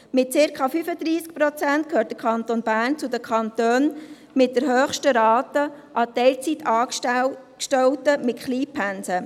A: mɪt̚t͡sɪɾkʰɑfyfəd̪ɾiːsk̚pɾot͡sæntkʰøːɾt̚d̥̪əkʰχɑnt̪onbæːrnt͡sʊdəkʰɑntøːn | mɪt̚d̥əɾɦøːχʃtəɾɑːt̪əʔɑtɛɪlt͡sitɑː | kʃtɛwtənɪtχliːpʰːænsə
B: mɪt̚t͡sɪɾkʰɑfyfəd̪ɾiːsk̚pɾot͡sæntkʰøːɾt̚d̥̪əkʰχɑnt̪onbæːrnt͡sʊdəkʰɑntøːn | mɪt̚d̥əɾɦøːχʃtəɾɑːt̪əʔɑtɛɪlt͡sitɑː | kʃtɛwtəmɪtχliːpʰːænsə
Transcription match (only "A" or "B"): B